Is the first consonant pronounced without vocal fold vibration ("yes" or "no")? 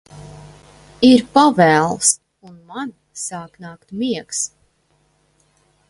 no